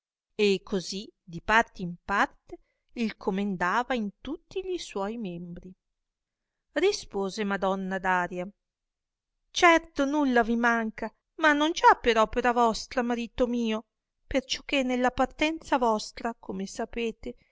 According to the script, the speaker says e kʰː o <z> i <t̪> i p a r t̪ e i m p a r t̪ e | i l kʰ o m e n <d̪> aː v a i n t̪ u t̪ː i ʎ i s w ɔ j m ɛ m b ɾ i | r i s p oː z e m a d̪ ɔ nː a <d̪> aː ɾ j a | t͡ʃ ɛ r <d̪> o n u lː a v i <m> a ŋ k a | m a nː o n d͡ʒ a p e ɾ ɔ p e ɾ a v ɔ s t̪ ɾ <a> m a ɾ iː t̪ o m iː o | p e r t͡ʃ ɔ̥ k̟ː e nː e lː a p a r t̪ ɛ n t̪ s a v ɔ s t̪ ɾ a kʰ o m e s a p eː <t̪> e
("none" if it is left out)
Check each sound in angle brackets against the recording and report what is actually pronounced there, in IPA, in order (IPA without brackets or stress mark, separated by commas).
z, d̪, d̪, d̪, t̪, m, a, t̪